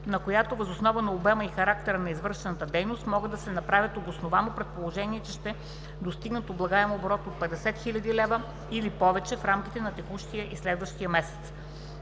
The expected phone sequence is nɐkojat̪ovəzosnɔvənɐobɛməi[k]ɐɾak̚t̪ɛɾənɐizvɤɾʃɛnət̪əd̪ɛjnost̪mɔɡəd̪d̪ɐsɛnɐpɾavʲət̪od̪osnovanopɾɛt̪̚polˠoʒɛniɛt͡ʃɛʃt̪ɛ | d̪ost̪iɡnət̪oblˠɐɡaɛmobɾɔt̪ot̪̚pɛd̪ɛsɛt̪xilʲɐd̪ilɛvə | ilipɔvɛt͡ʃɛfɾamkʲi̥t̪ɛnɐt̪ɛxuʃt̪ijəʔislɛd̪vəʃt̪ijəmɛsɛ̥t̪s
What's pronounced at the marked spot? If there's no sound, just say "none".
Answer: x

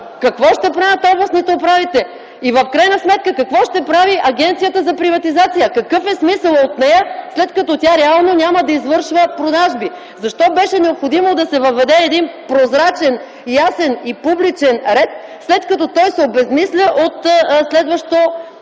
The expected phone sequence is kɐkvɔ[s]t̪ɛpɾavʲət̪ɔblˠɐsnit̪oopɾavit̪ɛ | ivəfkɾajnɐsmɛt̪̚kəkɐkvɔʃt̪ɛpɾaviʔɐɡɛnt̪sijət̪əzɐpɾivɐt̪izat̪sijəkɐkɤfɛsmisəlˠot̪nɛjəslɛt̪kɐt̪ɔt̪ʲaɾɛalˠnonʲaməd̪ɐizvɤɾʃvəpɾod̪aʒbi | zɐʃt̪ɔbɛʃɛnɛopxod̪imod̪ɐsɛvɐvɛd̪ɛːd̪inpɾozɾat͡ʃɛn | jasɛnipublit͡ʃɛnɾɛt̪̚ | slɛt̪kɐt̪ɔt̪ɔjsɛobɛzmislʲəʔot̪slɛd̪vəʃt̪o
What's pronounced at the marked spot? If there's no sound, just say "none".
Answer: ʃ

